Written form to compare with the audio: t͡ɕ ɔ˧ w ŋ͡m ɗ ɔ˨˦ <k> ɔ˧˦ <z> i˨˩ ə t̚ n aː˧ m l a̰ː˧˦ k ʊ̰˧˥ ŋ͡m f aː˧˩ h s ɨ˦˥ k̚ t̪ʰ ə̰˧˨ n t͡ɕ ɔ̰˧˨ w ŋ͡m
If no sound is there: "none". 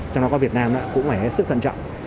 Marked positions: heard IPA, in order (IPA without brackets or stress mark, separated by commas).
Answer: k, v